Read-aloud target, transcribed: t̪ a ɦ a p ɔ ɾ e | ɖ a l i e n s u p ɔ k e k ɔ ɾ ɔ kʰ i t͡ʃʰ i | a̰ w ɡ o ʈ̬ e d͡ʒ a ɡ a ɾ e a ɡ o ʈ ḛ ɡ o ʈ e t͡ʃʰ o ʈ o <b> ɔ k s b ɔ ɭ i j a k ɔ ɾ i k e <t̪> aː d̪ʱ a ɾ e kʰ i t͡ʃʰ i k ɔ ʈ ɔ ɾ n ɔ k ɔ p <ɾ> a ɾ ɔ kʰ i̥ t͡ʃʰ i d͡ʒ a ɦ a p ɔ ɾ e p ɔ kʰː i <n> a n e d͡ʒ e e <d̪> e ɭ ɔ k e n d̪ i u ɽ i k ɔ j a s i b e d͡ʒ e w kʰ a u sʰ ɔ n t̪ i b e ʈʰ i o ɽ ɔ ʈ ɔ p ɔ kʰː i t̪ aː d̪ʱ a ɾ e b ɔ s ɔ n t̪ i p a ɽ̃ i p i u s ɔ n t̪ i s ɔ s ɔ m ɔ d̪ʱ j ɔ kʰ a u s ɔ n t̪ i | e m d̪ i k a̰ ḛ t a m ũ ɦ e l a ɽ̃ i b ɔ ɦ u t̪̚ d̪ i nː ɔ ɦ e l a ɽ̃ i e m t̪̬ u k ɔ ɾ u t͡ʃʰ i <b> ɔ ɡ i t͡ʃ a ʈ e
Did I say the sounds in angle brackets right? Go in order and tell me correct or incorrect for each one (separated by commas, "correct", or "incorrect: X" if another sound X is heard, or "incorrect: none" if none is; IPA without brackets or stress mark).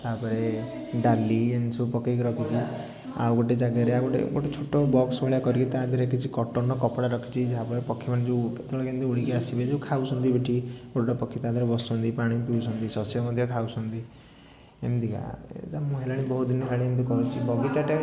correct, correct, incorrect: ɽ, incorrect: m, incorrect: t̪, correct